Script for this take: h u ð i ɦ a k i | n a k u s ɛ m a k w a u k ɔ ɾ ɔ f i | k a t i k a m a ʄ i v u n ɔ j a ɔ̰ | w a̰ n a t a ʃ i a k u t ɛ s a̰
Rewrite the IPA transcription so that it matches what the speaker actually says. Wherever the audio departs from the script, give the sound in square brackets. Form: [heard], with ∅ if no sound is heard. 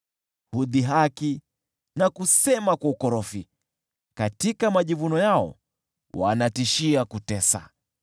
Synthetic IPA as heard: h u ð i ɦ a k i | n a k u s ɛ m a k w a u k ɔ ɾ ɔ f i | k a t i k a m a ʄ i v u n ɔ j a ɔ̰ | w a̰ n a t [i] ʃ i a k u t ɛ s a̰